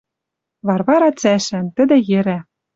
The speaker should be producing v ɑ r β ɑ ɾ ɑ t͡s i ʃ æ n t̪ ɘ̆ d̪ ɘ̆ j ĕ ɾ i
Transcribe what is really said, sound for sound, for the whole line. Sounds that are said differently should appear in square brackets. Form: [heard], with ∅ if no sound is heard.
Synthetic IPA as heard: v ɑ r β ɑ ɾ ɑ t͡s [æ] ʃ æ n t̪ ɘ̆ d̪ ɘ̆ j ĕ ɾ [æ]